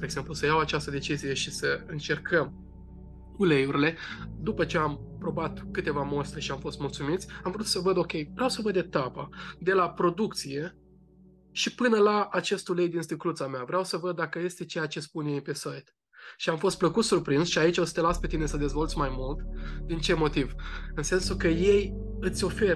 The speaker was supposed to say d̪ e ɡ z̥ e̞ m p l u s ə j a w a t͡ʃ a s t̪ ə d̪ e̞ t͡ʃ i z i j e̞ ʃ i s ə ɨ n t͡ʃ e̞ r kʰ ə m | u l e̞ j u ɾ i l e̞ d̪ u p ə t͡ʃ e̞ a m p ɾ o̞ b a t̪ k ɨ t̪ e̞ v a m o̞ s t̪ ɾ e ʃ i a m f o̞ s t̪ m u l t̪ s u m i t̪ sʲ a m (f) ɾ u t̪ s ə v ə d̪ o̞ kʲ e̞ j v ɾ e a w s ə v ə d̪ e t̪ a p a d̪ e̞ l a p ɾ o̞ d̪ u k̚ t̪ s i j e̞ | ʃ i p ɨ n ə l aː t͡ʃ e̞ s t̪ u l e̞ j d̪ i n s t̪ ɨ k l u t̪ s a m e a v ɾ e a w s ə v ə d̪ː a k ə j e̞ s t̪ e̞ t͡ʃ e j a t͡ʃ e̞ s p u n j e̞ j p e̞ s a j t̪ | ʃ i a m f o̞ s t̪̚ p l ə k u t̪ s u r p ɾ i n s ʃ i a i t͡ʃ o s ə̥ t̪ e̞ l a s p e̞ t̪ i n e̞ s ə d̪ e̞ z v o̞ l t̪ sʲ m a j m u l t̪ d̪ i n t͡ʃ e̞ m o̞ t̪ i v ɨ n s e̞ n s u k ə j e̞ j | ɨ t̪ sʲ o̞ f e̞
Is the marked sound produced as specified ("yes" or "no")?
no